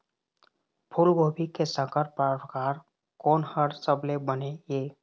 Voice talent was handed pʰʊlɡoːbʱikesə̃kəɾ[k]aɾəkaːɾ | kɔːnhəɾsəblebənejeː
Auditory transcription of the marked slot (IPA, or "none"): p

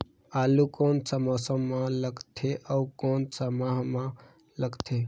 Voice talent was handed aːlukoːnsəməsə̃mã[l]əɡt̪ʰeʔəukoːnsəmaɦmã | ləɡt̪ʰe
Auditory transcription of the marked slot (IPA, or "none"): l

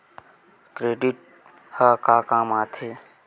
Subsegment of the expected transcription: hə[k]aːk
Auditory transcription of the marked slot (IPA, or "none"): k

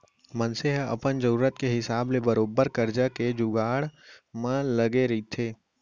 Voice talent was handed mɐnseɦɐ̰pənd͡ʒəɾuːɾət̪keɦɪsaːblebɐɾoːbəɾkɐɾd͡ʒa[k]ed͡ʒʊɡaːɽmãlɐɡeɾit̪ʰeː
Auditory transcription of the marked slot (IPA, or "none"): k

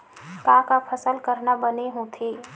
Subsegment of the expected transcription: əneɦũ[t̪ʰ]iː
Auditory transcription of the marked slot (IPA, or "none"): t̪ʰ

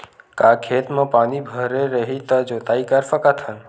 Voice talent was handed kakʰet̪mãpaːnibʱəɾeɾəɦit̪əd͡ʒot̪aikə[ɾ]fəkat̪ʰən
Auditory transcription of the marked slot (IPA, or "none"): ɾ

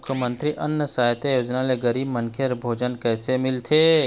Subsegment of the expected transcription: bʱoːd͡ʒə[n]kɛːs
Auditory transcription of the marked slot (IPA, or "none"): n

